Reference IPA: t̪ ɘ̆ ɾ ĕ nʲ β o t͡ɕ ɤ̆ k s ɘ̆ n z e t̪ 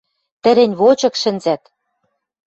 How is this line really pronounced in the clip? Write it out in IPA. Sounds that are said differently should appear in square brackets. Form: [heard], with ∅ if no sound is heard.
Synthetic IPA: t̪ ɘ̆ ɾ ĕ nʲ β o t͡ɕ ɤ̆ k [ʃ] ɘ̆ n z [æ] t̪